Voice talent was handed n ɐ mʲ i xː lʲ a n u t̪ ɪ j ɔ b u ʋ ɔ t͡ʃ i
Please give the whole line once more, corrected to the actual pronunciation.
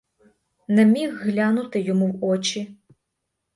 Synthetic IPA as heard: n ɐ mʲ i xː lʲ a n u t̪ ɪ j ɔ m u w ɔ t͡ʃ i